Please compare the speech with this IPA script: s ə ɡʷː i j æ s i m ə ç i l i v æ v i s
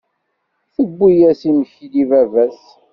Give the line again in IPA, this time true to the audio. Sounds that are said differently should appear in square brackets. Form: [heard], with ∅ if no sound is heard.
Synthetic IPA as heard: [θ] ə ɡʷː i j æ s i m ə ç i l i v æ v [æ] s